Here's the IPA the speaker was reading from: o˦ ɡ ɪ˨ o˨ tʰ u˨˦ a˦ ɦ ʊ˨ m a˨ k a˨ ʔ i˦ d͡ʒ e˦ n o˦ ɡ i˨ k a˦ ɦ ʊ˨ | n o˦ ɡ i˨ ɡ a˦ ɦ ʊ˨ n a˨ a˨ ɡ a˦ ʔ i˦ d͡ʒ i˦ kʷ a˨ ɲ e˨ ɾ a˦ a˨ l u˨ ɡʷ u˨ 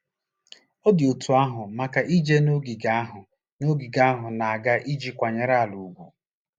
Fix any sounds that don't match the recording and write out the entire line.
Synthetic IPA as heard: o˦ d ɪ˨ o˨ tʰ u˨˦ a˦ ɦ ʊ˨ m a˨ k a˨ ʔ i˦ d͡ʒ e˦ n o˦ ɡ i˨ ɡ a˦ ɦ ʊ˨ | n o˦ ɡ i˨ ɡ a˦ ɦ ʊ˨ n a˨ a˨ ɡ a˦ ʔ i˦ d͡ʒ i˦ kʷ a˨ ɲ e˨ ɾ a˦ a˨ l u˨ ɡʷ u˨

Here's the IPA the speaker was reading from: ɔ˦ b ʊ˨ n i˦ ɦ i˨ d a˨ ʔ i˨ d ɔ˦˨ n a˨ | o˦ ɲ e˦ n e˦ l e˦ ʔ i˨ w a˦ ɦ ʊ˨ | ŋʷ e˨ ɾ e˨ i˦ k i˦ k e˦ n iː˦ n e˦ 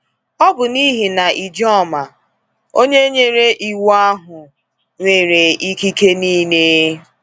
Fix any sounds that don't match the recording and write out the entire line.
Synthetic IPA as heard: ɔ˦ b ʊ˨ n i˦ ɦ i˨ n a˨ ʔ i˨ d͡ʒ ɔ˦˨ m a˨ | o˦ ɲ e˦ ɲ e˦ ɾ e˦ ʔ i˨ w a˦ ɦ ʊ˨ | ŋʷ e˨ ɾ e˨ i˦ k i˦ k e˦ n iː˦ n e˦

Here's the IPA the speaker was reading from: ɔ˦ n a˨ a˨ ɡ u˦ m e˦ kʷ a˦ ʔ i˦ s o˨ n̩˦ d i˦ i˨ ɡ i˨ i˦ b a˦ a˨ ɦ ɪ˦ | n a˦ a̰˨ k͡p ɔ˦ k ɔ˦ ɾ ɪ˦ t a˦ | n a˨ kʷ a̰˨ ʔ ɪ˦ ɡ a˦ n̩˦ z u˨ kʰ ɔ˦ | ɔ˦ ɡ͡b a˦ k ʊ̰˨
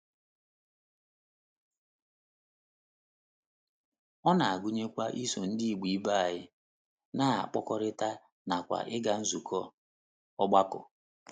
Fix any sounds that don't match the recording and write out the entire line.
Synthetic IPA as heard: ɔ˦ n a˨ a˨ ɡ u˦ ɲ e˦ kʷ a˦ ʔ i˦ s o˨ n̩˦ d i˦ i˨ ɡ͡b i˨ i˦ b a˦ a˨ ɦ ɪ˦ | n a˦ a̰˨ k͡p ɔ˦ k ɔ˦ ɾ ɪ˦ t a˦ | n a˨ kʷ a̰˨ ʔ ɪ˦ ɡ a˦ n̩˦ z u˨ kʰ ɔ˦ | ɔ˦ ɡ͡b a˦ k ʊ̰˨

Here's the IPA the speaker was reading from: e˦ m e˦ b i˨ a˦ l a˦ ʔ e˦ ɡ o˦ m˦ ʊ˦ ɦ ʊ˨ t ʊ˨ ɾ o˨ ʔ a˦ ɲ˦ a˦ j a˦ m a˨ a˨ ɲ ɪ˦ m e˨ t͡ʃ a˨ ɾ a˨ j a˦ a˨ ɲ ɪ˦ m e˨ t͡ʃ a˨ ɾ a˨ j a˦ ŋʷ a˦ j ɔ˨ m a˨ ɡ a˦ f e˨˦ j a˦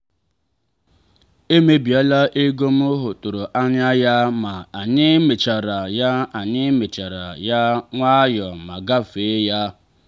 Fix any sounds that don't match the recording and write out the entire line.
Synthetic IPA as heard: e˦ m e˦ b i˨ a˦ l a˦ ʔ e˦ ɡ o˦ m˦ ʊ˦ ɦ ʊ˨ t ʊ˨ ɾ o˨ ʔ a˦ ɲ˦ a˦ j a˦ m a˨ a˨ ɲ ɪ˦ m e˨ t͡ʃ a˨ ɾ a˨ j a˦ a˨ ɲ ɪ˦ m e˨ t͡ʃ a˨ ɾ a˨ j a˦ ŋʷ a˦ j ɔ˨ m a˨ ɡ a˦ f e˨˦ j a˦

